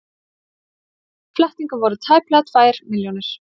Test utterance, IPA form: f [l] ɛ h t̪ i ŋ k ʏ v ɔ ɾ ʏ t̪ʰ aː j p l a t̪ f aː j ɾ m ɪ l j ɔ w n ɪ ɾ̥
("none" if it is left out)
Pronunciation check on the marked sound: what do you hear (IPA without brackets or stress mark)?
l